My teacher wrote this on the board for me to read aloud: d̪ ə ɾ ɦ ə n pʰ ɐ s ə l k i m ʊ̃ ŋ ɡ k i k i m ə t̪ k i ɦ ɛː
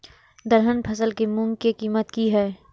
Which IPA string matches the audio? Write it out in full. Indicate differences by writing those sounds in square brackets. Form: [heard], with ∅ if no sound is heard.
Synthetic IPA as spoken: d̪ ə ɾ ɦ ə n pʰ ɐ s ə l k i m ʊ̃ ŋ ɡ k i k [iː] m ə t̪ k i ɦ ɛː